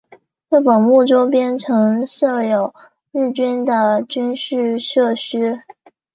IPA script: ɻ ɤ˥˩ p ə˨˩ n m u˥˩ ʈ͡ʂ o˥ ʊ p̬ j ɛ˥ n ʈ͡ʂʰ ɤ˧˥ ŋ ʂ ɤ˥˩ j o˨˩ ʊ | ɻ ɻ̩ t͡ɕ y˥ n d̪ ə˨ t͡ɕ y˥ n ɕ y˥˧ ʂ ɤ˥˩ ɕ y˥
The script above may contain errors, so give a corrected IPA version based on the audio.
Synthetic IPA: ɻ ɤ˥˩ p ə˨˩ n m u˥˩ ʈ͡ʂ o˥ ʊ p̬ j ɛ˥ n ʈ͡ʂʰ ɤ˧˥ ŋ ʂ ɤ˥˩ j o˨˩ ʊ | ɻ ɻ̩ t͡ɕ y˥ n d̪ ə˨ t͡ɕ y˥ n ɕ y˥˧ ʂ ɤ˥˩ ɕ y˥